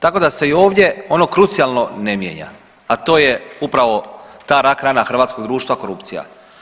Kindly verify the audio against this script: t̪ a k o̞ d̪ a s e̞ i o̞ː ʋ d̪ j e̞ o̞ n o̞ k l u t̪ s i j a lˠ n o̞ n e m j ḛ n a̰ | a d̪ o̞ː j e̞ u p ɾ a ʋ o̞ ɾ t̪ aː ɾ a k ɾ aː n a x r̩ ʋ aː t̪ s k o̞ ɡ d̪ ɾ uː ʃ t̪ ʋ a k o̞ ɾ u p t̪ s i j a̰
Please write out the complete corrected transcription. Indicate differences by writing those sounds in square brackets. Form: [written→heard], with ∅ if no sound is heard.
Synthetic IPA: t̪ a k o̞ d̪ a s e̞ i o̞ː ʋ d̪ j e̞ o̞ n o̞ k [l→ɾ] u t̪ s i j a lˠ n o̞ n e m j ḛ [n→ɲ] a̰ | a [d̪→t̪] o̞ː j e̞ u p ɾ a ʋ o̞ [ɾ→∅] t̪ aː ɾ a k ɾ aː n a x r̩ ʋ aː t̪ s k o̞ ɡ d̪ ɾ uː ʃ t̪ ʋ a k o̞ ɾ u p t̪ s i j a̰